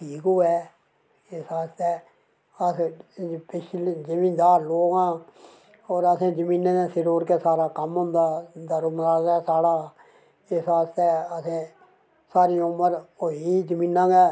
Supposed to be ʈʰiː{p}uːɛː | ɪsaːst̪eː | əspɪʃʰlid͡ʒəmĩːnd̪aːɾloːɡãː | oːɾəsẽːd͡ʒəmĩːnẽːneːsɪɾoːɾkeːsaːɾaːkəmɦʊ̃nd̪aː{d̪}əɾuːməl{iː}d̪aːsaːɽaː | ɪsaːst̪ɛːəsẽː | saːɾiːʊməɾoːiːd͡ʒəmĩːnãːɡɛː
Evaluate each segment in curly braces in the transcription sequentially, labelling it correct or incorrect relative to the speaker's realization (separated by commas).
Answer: incorrect, correct, incorrect